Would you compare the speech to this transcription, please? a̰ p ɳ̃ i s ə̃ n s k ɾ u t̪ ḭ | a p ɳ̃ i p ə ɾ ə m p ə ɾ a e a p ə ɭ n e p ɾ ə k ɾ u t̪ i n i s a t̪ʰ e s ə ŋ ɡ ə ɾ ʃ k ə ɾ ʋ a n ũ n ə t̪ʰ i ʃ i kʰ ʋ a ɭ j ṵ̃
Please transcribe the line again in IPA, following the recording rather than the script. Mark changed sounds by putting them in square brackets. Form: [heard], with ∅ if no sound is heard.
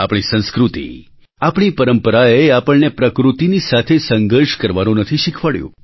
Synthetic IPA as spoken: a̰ p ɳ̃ i s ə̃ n s k ɾ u t̪ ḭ | a p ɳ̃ i p ə ɾ ə m p ə ɾ a e a p ə ɭ n e p ɾ ə k ɾ u t̪ i n i s a t̪ʰ e s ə ŋ ɡ ə ɾ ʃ k ə ɾ ʋ a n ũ n ə t̪ʰ i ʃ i kʰ ʋ a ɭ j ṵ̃